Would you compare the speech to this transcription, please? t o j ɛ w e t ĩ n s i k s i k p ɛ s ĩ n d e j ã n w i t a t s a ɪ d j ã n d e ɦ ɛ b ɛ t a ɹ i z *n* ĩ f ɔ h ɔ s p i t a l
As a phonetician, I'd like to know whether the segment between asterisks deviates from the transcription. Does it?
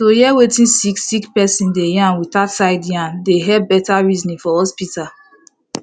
no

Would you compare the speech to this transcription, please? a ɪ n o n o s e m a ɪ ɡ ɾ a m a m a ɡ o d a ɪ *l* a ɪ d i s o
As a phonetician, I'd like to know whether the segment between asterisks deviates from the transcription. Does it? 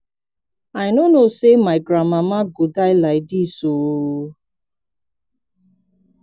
no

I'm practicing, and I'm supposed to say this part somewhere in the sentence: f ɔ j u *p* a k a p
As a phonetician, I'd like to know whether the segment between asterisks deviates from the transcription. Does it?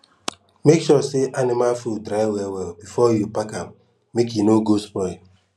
no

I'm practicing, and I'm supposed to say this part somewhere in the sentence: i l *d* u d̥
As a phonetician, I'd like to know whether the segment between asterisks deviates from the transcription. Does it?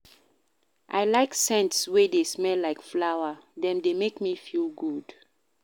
yes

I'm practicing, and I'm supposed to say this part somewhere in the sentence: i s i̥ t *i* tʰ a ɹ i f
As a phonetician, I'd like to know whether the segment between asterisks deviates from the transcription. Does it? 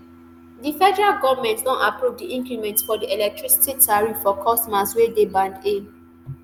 no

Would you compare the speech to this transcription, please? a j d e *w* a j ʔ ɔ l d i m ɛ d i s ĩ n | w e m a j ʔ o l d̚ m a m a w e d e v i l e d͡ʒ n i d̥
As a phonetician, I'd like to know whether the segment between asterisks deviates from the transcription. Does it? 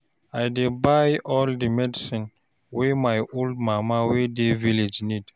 yes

